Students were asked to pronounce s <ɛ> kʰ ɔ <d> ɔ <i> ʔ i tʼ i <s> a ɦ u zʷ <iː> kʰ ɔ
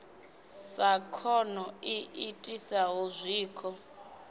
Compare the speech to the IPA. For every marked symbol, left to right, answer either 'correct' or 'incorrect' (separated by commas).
incorrect, incorrect, correct, correct, correct